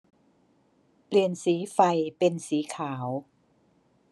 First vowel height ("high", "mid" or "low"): high